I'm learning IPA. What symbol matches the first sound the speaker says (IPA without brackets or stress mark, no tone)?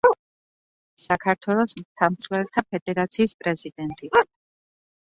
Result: s